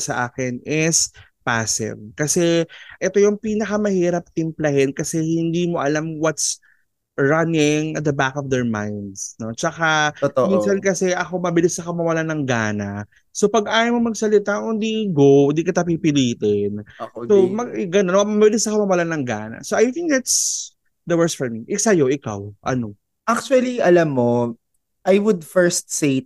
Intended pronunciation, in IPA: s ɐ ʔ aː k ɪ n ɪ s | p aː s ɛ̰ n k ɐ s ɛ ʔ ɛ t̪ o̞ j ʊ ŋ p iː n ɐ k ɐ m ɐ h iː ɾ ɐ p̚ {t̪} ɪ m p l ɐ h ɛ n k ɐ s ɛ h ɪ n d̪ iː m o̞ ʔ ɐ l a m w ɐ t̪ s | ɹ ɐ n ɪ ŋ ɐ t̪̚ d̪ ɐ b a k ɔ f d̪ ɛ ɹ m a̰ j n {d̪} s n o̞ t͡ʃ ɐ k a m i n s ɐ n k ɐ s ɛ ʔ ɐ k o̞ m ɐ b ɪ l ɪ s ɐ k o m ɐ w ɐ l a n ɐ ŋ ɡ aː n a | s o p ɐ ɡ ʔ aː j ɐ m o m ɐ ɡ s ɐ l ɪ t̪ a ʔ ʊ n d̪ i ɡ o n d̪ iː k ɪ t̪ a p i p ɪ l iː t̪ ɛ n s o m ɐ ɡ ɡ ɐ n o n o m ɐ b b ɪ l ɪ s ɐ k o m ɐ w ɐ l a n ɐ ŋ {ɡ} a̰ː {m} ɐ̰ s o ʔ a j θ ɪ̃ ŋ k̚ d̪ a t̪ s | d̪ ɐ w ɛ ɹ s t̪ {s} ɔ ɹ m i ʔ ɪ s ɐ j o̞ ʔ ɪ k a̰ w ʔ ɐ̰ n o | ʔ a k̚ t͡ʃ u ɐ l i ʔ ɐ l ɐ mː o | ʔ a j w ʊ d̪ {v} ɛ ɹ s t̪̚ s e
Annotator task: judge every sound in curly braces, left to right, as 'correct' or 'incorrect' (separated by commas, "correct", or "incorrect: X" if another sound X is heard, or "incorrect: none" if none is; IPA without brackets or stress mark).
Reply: correct, correct, correct, incorrect: n, incorrect: f, incorrect: f